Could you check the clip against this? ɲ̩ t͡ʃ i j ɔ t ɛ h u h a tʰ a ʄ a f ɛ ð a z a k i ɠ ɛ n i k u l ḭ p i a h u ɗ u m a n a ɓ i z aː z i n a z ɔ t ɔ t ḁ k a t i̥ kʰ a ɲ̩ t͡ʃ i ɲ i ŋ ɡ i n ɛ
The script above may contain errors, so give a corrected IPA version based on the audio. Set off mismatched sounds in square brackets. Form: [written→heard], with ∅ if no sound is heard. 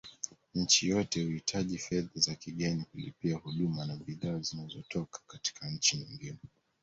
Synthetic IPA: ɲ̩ t͡ʃ i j ɔ t ɛ h u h [a→i] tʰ a ʄ [a→i] f ɛ ð a z a k i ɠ ɛ n i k u l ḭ p i a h u ɗ u m a n a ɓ i [z→ð] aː z i n a z ɔ t ɔ [t→k] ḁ k a t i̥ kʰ a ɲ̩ t͡ʃ i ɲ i ŋ ɡ i n ɛ